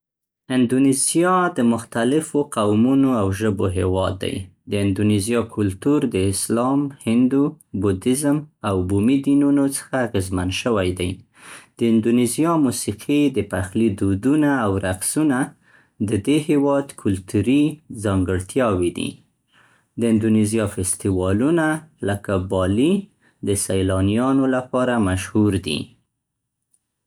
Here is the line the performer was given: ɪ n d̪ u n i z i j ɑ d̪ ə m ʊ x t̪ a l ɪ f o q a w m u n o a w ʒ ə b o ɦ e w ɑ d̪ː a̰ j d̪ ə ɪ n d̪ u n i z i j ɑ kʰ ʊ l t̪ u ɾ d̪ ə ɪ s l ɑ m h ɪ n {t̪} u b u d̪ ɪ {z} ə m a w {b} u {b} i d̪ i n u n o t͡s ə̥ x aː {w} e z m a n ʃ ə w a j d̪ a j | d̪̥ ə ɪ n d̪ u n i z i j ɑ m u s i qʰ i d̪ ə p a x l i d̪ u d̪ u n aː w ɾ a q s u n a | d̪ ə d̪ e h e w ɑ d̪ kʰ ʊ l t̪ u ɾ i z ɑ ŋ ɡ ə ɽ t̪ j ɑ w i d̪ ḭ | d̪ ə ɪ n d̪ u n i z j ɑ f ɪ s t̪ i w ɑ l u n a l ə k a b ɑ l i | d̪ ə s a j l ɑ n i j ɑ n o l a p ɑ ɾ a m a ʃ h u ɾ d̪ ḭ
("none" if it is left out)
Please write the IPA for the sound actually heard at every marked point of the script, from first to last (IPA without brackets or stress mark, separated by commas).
d̪, z, b, m, ɣ